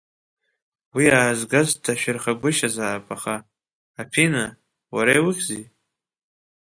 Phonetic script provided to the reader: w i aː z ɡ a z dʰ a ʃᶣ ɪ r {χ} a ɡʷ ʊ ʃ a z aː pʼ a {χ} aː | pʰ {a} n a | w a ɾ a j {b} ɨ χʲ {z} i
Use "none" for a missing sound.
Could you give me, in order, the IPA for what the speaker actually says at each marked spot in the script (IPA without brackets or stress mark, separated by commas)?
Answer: χ, χ, i, w, z